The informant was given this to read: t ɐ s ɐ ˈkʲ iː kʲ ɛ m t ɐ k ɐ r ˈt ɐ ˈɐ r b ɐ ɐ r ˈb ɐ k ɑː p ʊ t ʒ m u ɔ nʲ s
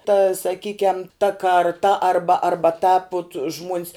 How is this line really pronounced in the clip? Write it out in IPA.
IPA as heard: t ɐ s ɐ ˈkʲ iː kʲ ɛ m t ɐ k ɐ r ˈt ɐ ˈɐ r b ɐ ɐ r ˈb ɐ t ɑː p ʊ t ʒ m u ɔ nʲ s